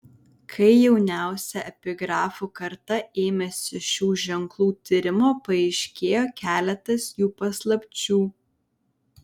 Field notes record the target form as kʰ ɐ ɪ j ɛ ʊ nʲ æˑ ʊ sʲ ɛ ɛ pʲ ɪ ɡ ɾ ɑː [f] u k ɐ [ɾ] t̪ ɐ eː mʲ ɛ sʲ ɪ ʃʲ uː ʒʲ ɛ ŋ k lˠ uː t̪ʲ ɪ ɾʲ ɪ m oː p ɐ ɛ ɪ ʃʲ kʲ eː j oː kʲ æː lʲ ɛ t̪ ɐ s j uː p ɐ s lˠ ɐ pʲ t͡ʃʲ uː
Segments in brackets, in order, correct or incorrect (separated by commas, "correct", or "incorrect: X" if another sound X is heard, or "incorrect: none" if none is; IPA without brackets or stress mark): correct, correct